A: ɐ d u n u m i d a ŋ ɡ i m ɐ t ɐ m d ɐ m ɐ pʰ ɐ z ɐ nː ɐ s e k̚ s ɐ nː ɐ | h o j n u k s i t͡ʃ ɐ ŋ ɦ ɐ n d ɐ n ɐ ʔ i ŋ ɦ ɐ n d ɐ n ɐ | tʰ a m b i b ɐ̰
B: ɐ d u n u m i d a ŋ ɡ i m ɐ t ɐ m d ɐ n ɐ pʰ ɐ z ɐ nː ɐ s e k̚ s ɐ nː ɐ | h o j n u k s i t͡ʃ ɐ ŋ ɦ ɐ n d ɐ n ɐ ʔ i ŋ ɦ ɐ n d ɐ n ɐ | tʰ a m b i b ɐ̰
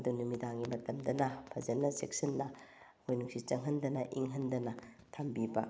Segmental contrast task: B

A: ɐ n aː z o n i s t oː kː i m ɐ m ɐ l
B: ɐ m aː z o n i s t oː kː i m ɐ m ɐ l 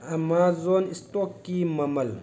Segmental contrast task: B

